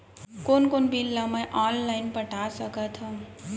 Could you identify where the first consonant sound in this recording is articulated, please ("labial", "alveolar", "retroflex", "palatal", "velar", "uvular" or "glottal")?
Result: velar